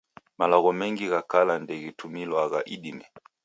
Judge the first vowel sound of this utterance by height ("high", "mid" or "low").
low